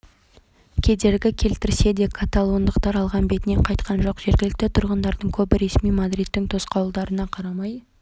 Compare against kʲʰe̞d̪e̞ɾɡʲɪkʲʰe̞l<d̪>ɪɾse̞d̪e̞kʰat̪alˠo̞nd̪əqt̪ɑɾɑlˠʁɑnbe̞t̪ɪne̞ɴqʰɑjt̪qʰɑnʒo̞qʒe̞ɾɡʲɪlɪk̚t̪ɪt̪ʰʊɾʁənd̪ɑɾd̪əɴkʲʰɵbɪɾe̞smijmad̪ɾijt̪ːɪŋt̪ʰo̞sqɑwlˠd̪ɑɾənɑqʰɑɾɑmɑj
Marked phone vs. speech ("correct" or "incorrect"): incorrect